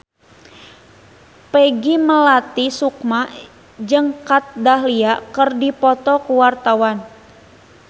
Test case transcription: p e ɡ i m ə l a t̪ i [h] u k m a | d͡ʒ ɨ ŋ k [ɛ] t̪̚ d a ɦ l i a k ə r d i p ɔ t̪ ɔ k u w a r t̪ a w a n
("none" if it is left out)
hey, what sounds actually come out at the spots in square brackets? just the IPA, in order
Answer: s, a

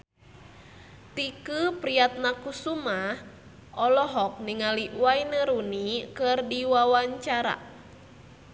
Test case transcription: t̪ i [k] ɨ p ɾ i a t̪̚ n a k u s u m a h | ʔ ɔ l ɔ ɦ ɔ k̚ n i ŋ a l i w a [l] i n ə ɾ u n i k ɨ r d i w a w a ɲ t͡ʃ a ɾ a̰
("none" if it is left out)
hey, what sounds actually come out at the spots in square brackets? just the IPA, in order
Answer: k, none

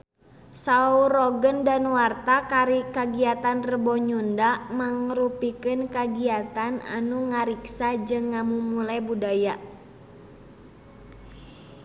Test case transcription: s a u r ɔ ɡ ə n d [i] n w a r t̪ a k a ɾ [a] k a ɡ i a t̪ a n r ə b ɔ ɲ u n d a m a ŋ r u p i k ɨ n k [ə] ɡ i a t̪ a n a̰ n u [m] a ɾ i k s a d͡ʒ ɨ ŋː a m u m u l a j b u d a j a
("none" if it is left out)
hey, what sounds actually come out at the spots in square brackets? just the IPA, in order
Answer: a, i, a, ŋ

